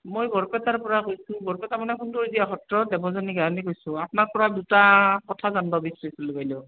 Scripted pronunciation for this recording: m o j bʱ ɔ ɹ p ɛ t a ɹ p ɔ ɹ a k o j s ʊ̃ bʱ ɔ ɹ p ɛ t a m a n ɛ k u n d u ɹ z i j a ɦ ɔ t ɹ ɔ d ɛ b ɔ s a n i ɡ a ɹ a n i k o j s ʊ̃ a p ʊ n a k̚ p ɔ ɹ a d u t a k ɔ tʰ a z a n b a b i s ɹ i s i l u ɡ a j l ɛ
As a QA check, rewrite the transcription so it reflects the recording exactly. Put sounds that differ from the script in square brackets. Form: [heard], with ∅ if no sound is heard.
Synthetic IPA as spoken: m o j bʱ ɔ ɹ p ɛ t a ɹ p ɔ ɹ a k o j s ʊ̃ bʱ ɔ ɹ p ɛ t a m a n ɛ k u n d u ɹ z i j a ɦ ɔ t ɹ ɔ d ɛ b ɔ [z] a n i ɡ a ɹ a n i k o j s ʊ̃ a p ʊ n a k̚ p ɔ ɹ a d u t a k ɔ tʰ a z a n b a b i s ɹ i s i l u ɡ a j l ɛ